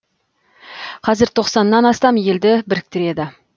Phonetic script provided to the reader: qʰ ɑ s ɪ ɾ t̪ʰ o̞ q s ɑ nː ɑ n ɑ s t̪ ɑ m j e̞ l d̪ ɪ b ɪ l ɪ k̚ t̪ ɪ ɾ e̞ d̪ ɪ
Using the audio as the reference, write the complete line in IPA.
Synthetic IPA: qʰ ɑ z ɪ ɾ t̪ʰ o̞ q s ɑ nː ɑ n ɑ s t̪ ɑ m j e̞ l d̪ ɪ b ɪ ɾ ɪ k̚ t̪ ɪ ɾ e̞ d̪ ɪ